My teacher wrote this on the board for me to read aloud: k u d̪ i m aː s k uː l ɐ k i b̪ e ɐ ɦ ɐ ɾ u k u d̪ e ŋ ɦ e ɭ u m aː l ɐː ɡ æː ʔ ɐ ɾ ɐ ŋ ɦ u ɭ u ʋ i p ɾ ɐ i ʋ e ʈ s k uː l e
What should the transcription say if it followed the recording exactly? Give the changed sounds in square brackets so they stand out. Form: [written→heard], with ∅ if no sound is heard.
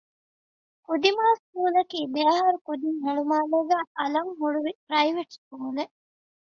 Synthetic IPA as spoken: k u d̪ i m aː s k uː l ɐ k [i→iː] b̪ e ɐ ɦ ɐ ɾ u k u d̪ [e→i] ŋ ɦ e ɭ u m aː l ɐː ɡ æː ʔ ɐ [ɾ→l] ɐ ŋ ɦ u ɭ u ʋ i p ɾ ɐ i ʋ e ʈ s k uː l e